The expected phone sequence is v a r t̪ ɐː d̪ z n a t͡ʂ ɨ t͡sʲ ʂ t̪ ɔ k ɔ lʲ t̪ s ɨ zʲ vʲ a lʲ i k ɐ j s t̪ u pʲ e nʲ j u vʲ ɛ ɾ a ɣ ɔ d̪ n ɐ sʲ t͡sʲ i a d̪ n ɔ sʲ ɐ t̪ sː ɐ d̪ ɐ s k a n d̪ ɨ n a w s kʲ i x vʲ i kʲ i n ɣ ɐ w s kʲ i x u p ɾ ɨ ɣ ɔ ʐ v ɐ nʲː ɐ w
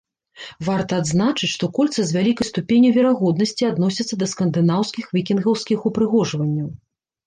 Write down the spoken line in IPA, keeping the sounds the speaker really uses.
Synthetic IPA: v a r t̪ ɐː d̪ z n a t͡ʂ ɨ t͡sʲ ʂ t̪ ɔ k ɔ lʲ t̪ s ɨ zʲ vʲ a lʲ i k ɐ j s t̪ u pʲ e nʲ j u vʲ ɛ ɾ a ɣ ɔ d̪ n ɐ sʲ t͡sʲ i a d̪ n ɔ sʲ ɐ t̪ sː ɐ d̪ ɐ s k ɐ n d̪ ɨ n a w s kʲ i x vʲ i kʲ i n ɣ ɐ w s kʲ i x u p ɾ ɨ ɣ ɔ ʐ v ɐ nʲː ɐ w

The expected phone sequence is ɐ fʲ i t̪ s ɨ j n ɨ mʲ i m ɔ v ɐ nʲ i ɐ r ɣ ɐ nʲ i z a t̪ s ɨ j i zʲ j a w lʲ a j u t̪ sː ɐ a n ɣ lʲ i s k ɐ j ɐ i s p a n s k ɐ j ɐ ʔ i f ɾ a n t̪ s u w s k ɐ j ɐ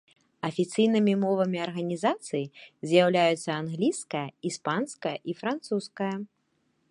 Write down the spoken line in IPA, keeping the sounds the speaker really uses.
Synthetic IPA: ɐ fʲ i t̪ s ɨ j n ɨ mʲ i m ɔ v ɐ mʲ i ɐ r ɣ ɐ nʲ i z a t̪ s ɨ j i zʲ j a w lʲ a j u t̪ sː ɐ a n ɣ lʲ i s k ɐ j ɐ i s p a n s k ɐ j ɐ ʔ i f ɾ a n t̪ s u s k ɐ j ɐ

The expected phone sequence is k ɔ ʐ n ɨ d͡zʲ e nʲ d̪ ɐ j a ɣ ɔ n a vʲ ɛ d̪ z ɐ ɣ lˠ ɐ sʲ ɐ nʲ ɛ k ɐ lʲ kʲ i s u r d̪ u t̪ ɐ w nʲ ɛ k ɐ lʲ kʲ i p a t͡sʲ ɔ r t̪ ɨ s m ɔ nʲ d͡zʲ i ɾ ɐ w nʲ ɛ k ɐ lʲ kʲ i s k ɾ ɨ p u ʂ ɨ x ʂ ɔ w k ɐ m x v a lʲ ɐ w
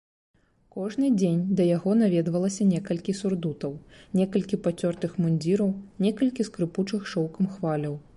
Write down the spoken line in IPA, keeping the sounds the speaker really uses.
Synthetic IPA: k ɔ ʐ n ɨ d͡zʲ e nʲ d̪ ɐ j a ɣ ɔ n a vʲ ɛ d̪ v ɐ lˠ ɐ sʲ ɐ nʲ ɛ k ɐ lʲ kʲ i s u r d̪ u t̪ ɐ w nʲ ɛ k ɐ lʲ kʲ i p a t͡sʲ ɔ r t̪ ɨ x m u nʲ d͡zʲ i ɾ ɐ w nʲ ɛ k ɐ lʲ kʲ i s k ɾ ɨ p u t͡ʂ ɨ x ʂ ɔ w k ɐ m x v a lʲ ɐ w

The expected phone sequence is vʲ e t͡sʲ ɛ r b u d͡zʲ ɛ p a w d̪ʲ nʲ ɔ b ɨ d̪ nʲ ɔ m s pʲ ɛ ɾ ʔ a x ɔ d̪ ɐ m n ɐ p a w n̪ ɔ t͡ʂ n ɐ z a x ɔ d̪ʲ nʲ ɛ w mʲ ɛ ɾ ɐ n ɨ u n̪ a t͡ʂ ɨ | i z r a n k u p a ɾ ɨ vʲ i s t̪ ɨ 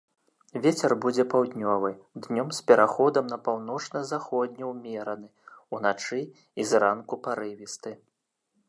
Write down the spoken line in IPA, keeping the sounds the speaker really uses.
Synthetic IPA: vʲ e t͡sʲ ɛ r b u d͡zʲ ɛ p a w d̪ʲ nʲ ɔ v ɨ d̪ nʲ ɔ m s pʲ ɛ ɾ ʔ a x ɔ d̪ ɐ m n ɐ p a w n̪ ɔ t͡ʂ n ɐ z a x ɔ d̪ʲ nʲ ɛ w mʲ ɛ ɾ ɐ n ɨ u n̪ a t͡ʂ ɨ | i z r a n k u p a ɾ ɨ vʲ i s t̪ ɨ

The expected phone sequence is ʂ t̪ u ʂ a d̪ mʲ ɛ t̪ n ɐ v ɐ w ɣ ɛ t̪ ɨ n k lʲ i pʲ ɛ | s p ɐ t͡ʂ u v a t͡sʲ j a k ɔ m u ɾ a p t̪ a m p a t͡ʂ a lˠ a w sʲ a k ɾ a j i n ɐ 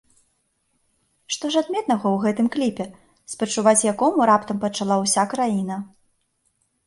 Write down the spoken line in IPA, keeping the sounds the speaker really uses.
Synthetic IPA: ʂ t̪ ɔ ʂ a d̪ mʲ ɛ t̪ n ɐ ɣ ɐ w ɣ ɛ t̪ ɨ m k lʲ i pʲ ɛ | s p ɐ t͡ʂ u v a t͡sʲ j a k ɔ m u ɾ a p t̪ ɐ m p ɐ t͡ʂ a lˠ a w sʲ a k ɾ a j i n ɐ

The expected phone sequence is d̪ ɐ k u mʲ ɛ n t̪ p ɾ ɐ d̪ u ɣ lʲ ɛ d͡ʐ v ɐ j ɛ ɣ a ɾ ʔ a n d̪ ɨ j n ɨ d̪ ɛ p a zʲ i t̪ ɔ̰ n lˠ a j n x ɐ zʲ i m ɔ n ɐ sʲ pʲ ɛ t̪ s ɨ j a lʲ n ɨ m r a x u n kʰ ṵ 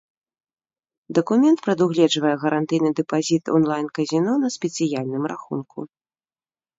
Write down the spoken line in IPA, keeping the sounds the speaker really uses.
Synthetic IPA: d̪ ɐ k u mʲ ɛ n t̪ p ɾ ɐ d̪ u ɣ lʲ ɛ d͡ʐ v ɐ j ɛ ɣ ɐ ɾ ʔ a n t̪ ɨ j n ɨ d̪ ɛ p a zʲ i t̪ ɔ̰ n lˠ a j n k ɐ zʲ i n ɔ n ɐ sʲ pʲ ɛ t̪ s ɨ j a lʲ n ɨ m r a x u n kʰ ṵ

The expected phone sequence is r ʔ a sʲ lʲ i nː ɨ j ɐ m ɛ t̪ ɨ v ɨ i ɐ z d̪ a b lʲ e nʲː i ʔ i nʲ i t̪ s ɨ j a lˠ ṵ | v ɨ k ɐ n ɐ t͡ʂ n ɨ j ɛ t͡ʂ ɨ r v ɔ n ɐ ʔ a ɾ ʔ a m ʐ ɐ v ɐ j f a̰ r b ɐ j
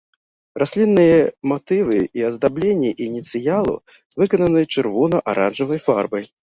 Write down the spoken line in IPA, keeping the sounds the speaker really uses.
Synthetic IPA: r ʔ a sʲ lʲ i nː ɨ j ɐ m a t̪ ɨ v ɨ i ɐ z d̪ a b lʲ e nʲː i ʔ i nʲ i t̪ s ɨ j a lˠ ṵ | v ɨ k ɐ n ɐ n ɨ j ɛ t͡ʂ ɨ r v ɔ n ɐ ʔ a ɾ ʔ a n ʐ ɐ v ɐ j f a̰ r b ɐ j

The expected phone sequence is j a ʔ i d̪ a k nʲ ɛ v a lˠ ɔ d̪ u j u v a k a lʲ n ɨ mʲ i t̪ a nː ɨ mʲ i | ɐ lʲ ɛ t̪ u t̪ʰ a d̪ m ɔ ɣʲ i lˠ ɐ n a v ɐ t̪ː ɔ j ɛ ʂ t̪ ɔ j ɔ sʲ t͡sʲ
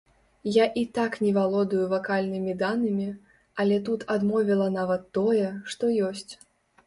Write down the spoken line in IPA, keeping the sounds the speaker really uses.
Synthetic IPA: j a ʔ i t̪ a k nʲ ɛ v a lˠ ɔ d̪ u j u v a k a lʲ n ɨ mʲ i d̪ a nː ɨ mʲ i | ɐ lʲ ɛ t̪ u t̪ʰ a d̪ m ɔ vʲ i lˠ ɐ n a v ɐ t̪ː ɔ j ɛ ʂ t̪ ɔ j ɔ sʲ t͡sʲ

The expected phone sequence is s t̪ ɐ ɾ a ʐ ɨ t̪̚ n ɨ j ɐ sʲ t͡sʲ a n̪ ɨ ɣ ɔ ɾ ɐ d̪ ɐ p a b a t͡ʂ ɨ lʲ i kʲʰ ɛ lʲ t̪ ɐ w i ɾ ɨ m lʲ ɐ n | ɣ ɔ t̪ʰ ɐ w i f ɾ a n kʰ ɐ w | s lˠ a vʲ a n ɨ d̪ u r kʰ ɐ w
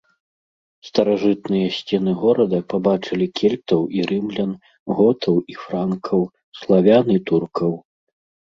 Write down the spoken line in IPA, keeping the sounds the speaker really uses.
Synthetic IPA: s t̪ ɐ ɾ a ʐ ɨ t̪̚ n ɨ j ɐ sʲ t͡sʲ ɛ n̪ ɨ ɣ ɔ ɾ ɐ d̪ ɐ p a b a t͡ʂ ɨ lʲ i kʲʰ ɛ lʲ t̪ ɐ w i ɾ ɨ m lʲ ɐ n | ɣ ɔ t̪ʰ ɐ w i f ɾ a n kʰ ɐ w | s lˠ a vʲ a n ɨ t̪ u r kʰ ɐ w

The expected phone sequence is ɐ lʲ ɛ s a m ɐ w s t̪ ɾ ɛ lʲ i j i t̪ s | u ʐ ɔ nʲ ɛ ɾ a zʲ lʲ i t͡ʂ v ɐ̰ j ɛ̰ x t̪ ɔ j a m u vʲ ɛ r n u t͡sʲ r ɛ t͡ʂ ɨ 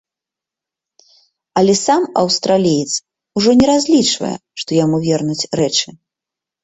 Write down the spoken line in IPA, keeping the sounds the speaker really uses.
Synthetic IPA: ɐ lʲ ɛ s a m ɐ w s t̪ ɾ a lʲ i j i t̪ s | u ʐ ɔ nʲ ɛ ɾ a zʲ lʲ i t͡ʂ v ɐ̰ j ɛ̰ ʂ t̪ ɔ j a m u vʲ ɛ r n u t͡sʲ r ɛ t͡ʂ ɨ

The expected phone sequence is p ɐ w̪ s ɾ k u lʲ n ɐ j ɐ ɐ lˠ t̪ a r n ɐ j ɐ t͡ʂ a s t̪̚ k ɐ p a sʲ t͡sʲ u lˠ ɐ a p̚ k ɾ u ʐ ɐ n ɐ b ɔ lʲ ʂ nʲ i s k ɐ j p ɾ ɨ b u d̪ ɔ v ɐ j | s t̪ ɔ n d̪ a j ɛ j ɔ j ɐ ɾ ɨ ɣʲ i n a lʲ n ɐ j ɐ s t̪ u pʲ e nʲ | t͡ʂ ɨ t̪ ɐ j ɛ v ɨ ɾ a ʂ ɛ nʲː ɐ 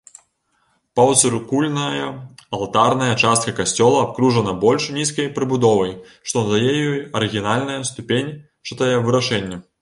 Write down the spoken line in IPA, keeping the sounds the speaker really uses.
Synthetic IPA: p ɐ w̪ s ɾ k u lʲ n ɐ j ɐ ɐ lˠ t̪ a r n ɐ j ɐ t͡ʂ a s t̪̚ k ɐ k a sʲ t͡sʲ ɔ lˠ ɐ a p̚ k ɾ u ʐ ɐ n ɐ b ɔ lʲ ʂ nʲ i s k ɐ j p ɾ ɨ b u d̪ ɔ v ɐ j | ʂ t̪ ɔ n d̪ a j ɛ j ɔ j ɐ ɾ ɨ ɣʲ i n a lʲ n ɐ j ɐ s t̪ u pʲ e nʲ | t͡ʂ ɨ t̪ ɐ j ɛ v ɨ ɾ a ʂ ɛ nʲː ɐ

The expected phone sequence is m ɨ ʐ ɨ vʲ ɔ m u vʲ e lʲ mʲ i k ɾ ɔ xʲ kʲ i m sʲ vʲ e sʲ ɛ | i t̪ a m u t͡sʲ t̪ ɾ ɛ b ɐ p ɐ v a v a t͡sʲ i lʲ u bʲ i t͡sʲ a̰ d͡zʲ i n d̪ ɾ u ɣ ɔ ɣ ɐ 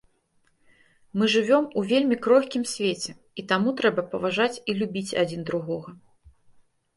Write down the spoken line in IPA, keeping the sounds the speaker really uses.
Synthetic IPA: m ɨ ʐ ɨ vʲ ɔ m u vʲ e lʲ mʲ i k ɾ ɔ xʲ kʲ i m sʲ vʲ e t͡sʲ ɛ | i t̪ a m u t̪ ɾ ɛ b ɐ p ɐ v a ʐ a t͡sʲ i lʲ u bʲ i t͡sʲ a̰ d͡zʲ i n d̪ ɾ u ɣ ɔ ɣ ɐ

